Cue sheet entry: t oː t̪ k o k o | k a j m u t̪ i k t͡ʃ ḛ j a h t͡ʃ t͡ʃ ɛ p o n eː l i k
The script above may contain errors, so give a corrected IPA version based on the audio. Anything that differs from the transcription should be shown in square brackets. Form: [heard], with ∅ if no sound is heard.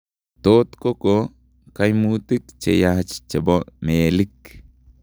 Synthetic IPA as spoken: t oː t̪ k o k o | k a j m u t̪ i k t͡ʃ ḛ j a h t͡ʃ t͡ʃ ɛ [b] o [m] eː l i k